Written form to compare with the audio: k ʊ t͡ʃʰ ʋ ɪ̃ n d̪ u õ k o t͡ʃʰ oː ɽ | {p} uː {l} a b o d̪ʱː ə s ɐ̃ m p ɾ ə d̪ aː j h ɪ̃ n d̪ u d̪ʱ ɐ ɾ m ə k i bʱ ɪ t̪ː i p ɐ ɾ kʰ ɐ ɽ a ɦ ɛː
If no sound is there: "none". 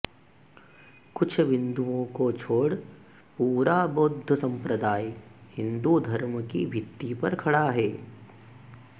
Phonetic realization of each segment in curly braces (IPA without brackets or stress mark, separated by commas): p, ɾ